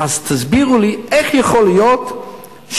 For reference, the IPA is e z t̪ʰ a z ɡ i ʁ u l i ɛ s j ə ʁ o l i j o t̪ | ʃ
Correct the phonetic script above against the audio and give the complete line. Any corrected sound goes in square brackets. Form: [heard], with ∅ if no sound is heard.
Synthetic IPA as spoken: [a] z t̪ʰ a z [b] i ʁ u l i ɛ [χ] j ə [χ] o l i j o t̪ | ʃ